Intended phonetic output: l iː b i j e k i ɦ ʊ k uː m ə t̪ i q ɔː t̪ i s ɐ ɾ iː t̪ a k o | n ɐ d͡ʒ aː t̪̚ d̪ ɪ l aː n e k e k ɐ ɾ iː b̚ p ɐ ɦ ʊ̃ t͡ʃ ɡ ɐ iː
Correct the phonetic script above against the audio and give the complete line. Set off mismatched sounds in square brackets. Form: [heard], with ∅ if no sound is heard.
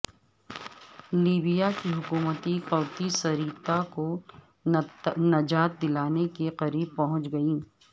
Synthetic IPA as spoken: l iː b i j [a] k i ɦ ʊ k uː m ə t̪ i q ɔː t̪ i s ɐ ɾ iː t̪ a k o | n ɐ d͡ʒ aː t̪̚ d̪ ɪ l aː n e k e [q] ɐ ɾ iː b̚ p ɐ ɦ ʊ̃ t͡ʃ ɡ ɐ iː